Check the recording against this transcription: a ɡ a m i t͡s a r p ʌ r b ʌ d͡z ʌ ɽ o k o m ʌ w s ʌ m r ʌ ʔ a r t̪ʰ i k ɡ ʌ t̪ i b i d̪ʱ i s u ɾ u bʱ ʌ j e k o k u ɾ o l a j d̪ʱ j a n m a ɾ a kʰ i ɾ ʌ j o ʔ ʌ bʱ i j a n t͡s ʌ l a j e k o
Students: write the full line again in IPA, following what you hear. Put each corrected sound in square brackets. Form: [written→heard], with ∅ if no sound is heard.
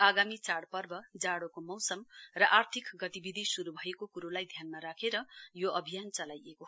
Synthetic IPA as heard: a ɡ a m i t͡s a [r→ɽ] p ʌ r b ʌ d͡z [ʌ→a] ɽ o k o m ʌ w s ʌ m r ʌ ʔ a r t̪ʰ i k ɡ ʌ t̪ i b i d̪ʱ i s u ɾ u bʱ ʌ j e k o k u ɾ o l a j d̪ʱ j a n m a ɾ a kʰ [i→e] ɾ ʌ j o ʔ ʌ bʱ i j a n t͡s ʌ l a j e k o